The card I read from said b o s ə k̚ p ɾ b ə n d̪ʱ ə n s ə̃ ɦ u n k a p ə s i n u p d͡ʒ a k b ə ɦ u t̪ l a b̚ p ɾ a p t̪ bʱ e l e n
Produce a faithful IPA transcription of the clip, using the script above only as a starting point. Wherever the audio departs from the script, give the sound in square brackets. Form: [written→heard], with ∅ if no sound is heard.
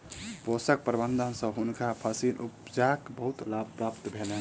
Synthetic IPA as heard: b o s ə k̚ p ɾ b ə n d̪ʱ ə n s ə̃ ɦ u n k a [p→pʰ] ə s i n u p d͡ʒ a k b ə ɦ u t̪ l a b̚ p ɾ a p t̪ bʱ e l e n